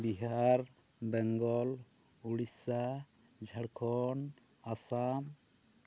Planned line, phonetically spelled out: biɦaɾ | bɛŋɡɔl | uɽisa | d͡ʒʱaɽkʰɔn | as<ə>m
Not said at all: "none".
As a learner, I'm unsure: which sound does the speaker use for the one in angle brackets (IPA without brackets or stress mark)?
a